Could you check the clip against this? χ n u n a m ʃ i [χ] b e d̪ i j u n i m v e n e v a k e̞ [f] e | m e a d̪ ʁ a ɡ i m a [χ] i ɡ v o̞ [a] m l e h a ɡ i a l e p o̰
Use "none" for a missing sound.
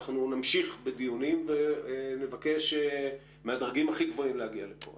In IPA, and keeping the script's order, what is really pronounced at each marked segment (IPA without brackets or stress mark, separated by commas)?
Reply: χ, ʃ, χ, i